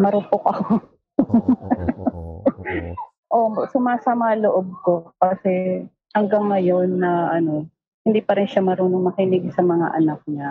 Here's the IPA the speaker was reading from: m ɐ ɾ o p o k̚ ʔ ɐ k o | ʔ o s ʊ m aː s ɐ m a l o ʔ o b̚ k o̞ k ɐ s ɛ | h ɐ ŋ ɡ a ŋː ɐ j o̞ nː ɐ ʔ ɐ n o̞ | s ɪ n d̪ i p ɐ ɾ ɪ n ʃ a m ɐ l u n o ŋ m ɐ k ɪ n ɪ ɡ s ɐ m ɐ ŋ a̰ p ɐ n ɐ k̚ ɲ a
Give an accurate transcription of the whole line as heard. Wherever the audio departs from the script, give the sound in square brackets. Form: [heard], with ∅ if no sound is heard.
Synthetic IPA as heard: m ɐ ɾ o p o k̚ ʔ ɐ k o | ʔ o s ʊ m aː s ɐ m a l o ʔ o b̚ k o̞ k ɐ s ɛ | h ɐ ŋ ɡ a ŋː ɐ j o̞ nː ɐ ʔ ɐ n o̞ | [h] ɪ n d̪ i p ɐ ɾ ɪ n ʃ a m ɐ [ɾ] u n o ŋ m ɐ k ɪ n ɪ ɡ s ɐ m ɐ ŋ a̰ [ʔ] ɐ n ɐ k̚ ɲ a